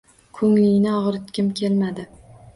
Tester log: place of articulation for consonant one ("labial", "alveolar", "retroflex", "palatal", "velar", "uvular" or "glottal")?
velar